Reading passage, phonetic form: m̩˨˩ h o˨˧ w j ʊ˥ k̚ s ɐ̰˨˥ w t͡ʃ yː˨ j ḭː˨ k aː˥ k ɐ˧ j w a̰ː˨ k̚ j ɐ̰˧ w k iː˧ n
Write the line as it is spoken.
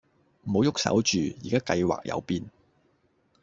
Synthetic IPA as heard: m̩˨˩ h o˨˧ w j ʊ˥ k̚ s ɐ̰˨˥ w t͡ʃ yː˨ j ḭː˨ k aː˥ k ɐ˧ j w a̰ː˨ k̚ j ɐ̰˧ w p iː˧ n